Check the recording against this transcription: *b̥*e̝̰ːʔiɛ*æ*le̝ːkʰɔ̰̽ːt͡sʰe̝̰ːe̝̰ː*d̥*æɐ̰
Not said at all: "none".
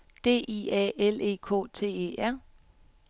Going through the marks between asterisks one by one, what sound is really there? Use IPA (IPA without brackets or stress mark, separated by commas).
d̥, e, none